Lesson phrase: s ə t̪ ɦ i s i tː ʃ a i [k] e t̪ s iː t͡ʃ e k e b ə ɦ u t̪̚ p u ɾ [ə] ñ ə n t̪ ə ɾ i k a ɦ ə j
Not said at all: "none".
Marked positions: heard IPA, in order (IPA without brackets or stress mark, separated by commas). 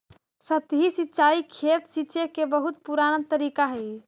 kʰ, a